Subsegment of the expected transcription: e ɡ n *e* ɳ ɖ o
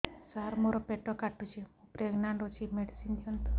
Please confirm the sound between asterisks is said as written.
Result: no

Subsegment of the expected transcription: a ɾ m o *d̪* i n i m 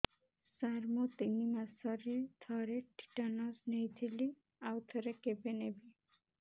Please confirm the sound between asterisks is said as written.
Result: no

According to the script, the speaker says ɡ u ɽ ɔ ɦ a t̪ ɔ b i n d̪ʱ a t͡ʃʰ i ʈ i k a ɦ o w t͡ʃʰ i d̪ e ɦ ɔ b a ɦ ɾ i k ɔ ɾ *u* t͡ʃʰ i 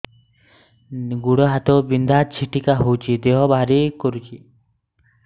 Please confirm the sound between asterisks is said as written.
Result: yes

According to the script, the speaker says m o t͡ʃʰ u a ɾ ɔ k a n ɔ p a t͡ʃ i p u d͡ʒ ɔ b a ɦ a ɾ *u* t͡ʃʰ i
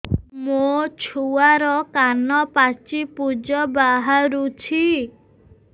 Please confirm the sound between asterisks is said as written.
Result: yes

